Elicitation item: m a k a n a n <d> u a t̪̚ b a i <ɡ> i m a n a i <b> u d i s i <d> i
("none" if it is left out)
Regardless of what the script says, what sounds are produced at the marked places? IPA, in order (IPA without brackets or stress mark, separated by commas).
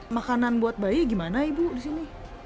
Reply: b, ɡ, b, n